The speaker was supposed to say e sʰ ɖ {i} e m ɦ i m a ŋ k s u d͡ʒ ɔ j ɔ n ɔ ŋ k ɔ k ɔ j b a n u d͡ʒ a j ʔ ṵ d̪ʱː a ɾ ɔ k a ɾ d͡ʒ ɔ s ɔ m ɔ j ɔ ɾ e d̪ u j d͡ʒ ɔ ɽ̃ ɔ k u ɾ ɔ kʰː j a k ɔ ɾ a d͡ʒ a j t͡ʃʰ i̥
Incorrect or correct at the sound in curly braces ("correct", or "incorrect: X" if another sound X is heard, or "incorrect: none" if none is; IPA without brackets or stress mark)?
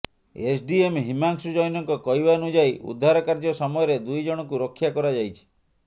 correct